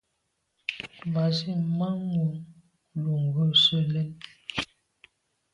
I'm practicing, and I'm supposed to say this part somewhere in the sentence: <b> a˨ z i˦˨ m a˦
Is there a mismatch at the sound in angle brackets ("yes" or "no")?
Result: no